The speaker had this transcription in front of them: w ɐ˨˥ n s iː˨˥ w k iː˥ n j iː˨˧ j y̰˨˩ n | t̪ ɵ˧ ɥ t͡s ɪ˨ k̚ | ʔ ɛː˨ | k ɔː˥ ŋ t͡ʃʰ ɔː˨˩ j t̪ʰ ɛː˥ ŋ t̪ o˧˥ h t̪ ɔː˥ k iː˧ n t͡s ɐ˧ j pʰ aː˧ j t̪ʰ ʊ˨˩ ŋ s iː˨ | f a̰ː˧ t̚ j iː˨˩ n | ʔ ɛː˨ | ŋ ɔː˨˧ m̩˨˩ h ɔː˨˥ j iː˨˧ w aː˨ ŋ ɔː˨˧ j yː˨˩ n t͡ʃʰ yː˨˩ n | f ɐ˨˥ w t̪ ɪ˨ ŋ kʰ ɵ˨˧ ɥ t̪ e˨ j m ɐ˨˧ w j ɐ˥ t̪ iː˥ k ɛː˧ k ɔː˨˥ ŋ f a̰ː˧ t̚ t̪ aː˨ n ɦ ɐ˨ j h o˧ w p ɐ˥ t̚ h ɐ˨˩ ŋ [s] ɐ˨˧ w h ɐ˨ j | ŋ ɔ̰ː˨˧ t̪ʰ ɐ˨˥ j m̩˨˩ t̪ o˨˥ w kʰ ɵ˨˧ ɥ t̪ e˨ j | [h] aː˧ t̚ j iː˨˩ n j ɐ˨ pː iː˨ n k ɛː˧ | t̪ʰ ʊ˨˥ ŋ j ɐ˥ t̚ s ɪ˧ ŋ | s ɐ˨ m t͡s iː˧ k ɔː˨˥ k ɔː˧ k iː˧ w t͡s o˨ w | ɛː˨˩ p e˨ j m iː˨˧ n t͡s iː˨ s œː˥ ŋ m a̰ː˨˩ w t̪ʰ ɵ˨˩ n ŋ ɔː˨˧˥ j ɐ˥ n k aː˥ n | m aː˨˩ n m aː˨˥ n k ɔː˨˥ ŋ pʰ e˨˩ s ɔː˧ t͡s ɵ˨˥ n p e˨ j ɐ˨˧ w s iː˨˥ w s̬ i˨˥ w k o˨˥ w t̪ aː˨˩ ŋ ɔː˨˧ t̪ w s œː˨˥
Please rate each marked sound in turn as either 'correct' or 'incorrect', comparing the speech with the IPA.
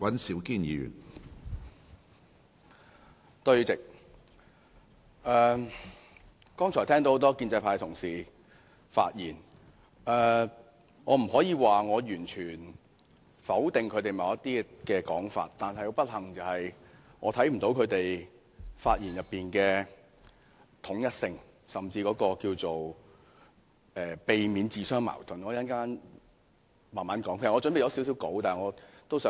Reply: incorrect, incorrect

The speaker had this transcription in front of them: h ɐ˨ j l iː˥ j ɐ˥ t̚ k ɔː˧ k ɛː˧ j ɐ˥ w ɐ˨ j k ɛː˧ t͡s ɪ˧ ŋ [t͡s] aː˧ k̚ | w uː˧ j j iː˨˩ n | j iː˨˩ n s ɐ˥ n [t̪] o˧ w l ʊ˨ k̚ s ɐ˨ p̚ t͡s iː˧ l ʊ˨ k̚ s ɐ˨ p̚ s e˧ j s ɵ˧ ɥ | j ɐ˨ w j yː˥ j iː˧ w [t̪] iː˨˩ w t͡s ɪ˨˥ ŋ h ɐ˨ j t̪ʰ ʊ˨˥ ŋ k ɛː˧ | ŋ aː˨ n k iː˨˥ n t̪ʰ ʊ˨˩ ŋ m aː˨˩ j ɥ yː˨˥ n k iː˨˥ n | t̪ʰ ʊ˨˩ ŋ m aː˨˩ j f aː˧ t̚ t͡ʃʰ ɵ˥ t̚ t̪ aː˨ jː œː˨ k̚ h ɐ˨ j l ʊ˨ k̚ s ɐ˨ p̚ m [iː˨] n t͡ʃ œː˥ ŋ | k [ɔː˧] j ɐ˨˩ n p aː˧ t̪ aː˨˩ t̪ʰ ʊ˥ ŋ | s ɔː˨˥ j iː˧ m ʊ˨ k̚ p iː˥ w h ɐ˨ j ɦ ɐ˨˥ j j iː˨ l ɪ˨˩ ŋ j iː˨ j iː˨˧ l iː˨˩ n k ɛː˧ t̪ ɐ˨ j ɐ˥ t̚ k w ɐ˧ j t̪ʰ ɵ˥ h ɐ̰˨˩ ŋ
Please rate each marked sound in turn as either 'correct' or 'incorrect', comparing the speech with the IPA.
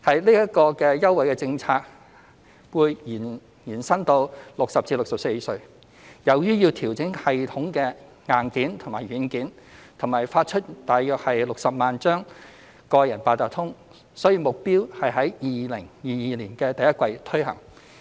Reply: incorrect, correct, incorrect, incorrect, correct

